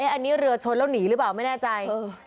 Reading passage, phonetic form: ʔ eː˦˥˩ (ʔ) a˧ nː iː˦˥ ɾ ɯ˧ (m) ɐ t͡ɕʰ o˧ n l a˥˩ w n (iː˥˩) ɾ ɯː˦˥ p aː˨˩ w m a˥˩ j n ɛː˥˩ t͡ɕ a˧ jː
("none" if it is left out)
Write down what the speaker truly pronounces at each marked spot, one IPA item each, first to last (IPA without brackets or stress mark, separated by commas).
ʔ, none, iː˩˦